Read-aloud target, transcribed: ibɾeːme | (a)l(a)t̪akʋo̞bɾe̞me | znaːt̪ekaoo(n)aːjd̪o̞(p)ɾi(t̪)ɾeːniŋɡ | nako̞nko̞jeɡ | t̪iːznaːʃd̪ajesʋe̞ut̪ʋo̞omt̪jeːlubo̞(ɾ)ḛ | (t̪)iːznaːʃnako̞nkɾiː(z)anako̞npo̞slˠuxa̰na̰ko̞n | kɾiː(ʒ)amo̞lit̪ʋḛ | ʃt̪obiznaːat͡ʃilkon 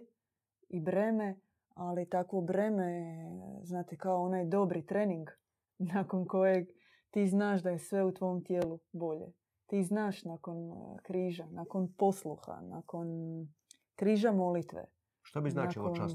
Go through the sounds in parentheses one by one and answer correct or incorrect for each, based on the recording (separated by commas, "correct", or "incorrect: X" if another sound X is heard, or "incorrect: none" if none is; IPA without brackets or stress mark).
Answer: correct, incorrect: i, correct, incorrect: b, correct, incorrect: ʎ, correct, incorrect: ʒ, correct